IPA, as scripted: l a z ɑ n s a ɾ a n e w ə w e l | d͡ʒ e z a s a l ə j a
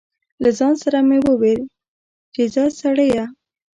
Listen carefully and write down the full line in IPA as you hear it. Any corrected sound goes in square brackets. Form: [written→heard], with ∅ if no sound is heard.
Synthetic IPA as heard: l a z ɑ n s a ɾ a [n→m] e w ə w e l | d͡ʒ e z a s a [l→ɽ] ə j a